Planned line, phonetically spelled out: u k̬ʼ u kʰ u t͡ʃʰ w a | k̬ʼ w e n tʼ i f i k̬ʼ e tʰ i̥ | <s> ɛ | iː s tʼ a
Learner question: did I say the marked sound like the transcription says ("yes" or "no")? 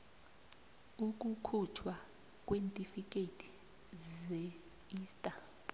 no